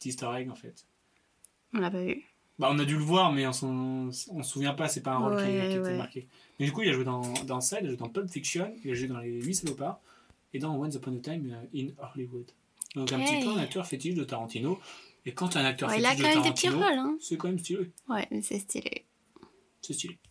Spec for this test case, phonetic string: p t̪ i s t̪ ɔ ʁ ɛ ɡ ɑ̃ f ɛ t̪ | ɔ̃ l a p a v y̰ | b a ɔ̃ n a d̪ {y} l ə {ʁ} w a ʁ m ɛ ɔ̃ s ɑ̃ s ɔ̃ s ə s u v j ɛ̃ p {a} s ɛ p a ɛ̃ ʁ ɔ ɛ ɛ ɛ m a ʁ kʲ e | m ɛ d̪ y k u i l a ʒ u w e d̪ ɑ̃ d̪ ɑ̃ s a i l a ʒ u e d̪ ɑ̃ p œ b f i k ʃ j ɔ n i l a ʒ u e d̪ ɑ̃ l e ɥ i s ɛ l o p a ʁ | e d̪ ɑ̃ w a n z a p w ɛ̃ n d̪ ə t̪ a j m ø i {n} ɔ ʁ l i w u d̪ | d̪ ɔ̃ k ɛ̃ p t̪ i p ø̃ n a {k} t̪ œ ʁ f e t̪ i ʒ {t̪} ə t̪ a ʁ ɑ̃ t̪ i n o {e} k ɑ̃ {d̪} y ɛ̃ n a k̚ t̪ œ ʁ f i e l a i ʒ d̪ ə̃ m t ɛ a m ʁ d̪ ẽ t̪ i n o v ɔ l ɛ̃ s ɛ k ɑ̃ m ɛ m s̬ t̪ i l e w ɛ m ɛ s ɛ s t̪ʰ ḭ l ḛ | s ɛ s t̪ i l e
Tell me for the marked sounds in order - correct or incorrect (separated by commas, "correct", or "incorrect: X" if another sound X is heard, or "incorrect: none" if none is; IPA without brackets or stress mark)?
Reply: correct, incorrect: v, correct, correct, correct, incorrect: d̪, correct, incorrect: t̪